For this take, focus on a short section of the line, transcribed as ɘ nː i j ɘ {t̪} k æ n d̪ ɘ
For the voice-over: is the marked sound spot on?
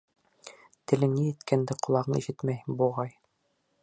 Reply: yes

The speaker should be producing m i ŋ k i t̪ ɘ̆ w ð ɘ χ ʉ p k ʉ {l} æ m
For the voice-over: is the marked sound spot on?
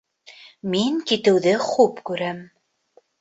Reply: no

